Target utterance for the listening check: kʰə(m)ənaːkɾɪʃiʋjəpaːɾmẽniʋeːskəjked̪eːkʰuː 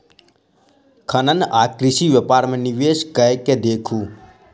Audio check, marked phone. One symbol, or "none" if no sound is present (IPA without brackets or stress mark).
n